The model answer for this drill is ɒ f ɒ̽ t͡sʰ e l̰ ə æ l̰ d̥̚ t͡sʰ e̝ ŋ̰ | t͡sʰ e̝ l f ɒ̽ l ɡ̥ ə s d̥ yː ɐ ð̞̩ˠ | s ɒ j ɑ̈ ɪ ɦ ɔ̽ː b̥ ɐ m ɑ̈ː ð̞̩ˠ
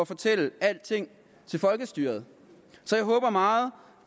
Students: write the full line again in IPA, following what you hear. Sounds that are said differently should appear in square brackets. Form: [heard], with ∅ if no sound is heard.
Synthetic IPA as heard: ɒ f ɒ̽ t͡sʰ e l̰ ə æ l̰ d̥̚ t͡sʰ e̝ ŋ̰ | t͡sʰ e̝ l f ɒ̽ l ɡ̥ ə s d̥ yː ɐ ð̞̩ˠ | s ɒ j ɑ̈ ɪ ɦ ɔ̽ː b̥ ɐ m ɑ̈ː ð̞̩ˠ

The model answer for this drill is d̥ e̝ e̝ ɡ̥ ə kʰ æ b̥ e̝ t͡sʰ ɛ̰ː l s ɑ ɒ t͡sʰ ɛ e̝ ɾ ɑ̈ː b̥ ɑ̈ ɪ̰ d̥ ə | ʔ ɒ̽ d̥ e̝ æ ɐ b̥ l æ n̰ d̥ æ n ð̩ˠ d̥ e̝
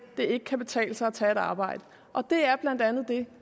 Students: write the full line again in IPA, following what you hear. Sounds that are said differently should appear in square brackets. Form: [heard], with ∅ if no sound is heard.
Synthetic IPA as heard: d̥ e̝ e̝ ɡ̥ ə kʰ æ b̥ e̝ t͡sʰ ɛ̰ː l s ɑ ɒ t͡sʰ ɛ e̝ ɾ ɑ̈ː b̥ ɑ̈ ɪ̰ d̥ ə | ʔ ɒ̽ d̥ e̝ æ ɐ b̥ l æ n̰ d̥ æ n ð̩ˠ d̥ e̝

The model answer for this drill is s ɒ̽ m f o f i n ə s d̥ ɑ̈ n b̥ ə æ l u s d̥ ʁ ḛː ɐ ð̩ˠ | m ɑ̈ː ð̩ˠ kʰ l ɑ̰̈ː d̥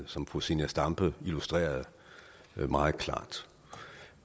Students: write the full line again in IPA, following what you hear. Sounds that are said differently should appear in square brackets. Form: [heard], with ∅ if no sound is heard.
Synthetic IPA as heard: s ɒ̽ m f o [s] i n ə s d̥ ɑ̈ [m] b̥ ə [i] l u s d̥ ʁ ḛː ɐ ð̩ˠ | m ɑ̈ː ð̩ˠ kʰ l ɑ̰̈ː d̥

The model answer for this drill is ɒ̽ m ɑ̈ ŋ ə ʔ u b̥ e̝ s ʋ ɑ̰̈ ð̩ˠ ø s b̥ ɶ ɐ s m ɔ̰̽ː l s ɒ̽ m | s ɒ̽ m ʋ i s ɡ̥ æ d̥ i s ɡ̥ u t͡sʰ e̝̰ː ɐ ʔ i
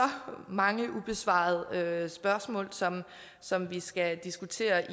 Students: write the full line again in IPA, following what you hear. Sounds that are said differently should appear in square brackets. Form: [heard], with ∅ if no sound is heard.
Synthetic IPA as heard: ɒ̽ m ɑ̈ ŋ ə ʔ u b̥ e̝ s ʋ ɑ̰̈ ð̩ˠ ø s b̥ ɶ ɐ s m ɔ̰̽ː l s ɒ̽ m | s ɒ̽ m ʋ i s ɡ̥ æ d̥ i s ɡ̥ u t͡sʰ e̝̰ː ɐ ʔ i

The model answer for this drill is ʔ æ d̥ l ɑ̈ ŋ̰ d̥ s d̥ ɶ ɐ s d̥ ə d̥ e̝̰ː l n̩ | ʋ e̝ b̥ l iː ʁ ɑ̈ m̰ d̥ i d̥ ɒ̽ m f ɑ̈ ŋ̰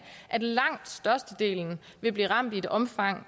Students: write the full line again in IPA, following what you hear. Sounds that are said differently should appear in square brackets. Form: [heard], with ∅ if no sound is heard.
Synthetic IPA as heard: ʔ æ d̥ l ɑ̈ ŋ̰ d̥ s d̥ ɶ ɐ s d̥ ə d̥ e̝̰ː l n̩ | ʋ e̝ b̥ l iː ʁ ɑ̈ m̰ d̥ i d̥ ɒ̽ m f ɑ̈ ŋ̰

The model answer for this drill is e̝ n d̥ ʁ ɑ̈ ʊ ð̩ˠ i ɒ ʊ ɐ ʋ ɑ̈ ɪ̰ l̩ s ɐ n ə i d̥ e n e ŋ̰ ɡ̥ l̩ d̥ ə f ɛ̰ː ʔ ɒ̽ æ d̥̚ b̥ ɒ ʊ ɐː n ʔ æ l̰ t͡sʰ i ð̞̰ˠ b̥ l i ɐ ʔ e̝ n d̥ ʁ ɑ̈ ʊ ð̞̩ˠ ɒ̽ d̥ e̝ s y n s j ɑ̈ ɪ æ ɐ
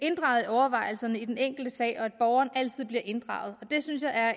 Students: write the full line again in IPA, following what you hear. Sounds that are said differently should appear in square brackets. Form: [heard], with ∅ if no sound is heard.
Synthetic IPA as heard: e̝ n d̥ ʁ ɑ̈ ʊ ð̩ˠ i ɒ ʊ ɐ ʋ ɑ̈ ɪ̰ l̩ s ɐ n ə i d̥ e n e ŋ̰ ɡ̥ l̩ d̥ ə [s] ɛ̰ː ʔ ɒ̽ æ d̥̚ b̥ ɒ ʊ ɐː n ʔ æ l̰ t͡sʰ i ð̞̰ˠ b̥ l i ɐ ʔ e̝ n d̥ ʁ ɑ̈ ʊ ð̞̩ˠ ɒ̽ d̥ e̝ s y n s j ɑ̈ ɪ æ ɐ

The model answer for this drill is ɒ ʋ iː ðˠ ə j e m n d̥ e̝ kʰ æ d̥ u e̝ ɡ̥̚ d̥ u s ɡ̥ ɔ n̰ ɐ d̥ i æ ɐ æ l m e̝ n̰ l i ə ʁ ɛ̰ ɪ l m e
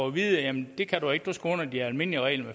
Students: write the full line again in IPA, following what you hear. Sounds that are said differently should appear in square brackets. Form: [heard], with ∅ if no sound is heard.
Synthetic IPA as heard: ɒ ʋ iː ðˠ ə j [æ] m n d̥ e̝ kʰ æ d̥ u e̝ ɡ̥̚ d̥ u s ɡ̥ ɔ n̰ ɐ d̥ i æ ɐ æ l m e̝ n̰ l i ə ʁ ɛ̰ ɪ l m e

